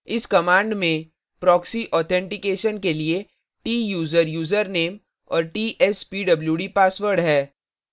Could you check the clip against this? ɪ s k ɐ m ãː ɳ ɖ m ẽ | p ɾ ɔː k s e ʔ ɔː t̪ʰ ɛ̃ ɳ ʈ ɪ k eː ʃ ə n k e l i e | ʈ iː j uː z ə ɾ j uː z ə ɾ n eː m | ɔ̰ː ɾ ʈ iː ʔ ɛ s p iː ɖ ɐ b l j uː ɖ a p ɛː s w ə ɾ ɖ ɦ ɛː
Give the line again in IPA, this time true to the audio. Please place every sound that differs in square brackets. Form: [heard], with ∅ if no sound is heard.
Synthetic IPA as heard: ɪ s k ɐ m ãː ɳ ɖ m ẽ | p ɾ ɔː k s [i] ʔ ɔː t̪ʰ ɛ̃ ɳ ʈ ɪ k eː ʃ ə n k e l i e | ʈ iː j uː z ə ɾ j uː z ə ɾ n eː m | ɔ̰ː ɾ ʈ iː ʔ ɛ s p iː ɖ ɐ b l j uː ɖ [i] p [aː] s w ə ɾ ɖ ɦ ɛː

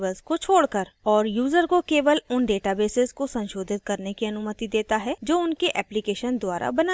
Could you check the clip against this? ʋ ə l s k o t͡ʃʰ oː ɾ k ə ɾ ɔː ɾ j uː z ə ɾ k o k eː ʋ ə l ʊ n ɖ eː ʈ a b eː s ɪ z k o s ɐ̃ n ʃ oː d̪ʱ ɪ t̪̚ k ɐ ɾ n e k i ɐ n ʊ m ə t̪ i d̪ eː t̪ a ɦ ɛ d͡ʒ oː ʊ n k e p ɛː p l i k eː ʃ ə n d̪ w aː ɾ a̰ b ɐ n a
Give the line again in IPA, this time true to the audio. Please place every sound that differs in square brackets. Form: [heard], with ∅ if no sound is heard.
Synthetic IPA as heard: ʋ ə l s k o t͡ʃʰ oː [ɽ] k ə ɾ ɔː ɾ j uː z ə ɾ k o k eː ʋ ə l ʊ n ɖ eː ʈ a b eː s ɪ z k o s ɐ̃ n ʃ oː d̪ʱ ɪ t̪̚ k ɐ ɾ n e k i ɐ n ʊ m ə t̪ i d̪ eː t̪ a ɦ ɛ d͡ʒ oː ʊ n k e [ʔ] ɛː p l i k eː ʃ ə n d̪ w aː ɾ a̰ b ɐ n a

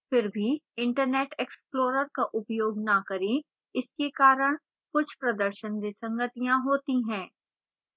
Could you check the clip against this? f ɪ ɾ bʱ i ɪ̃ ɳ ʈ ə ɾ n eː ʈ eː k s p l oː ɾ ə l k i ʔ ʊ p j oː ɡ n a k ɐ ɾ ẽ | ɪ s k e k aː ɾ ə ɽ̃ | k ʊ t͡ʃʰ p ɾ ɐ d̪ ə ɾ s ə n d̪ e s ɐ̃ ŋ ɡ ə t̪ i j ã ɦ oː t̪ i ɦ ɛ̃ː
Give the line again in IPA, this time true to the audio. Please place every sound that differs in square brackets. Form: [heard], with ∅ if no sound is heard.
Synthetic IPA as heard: f ɪ ɾ bʱ i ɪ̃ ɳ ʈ ə ɾ n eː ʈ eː k s p l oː ɾ ə [ɾ] k [a] ʔ ʊ p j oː ɡ n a k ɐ ɾ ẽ | ɪ s k e k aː ɾ ə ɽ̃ | k ʊ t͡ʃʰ p ɾ ɐ d̪ ə ɾ [ʃ] ə n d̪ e s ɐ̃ ŋ ɡ ə t̪ i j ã ɦ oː t̪ i ɦ ɛ̃ː

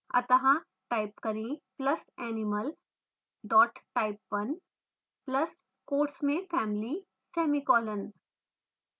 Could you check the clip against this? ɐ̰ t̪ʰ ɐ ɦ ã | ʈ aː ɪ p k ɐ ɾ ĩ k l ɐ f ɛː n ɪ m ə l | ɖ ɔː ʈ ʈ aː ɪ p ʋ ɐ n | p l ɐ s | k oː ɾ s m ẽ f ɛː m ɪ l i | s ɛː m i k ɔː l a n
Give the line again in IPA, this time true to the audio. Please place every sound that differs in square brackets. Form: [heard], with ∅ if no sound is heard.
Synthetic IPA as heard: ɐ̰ [t̪] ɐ ɦ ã | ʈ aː ɪ p k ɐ ɾ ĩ [p] l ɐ [s] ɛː n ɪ m ə l | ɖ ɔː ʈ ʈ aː ɪ p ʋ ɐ n | p l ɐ s | k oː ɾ s m ẽ f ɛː m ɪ l i | s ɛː m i k ɔː l [ə] n

